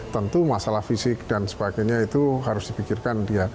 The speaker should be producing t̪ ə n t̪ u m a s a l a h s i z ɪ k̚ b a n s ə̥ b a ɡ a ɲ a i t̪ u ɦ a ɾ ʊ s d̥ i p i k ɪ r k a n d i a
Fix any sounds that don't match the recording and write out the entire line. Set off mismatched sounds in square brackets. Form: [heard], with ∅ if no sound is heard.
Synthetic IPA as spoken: t̪ ə n t̪ u m a s a l a h [f] i [s] ɪ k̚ [d] a n s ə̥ b a ɡ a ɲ a i t̪ u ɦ a ɾ ʊ s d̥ i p i k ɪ r k a n d i a